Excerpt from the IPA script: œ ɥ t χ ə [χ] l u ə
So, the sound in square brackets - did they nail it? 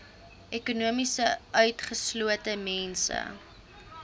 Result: no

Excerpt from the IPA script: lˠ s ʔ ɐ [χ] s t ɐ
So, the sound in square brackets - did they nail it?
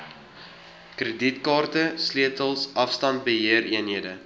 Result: no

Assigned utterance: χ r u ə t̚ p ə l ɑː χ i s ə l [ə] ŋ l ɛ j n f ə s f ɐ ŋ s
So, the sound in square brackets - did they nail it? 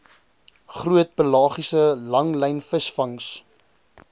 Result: no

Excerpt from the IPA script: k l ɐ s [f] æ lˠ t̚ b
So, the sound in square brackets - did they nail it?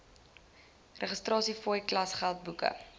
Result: no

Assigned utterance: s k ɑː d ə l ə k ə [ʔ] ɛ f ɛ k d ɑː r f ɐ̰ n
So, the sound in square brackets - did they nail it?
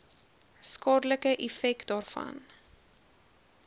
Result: yes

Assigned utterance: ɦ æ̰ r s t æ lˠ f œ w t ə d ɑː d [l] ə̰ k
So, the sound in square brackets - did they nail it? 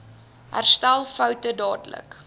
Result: yes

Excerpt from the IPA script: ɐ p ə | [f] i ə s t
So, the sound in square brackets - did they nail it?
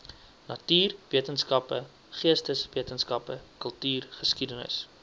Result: no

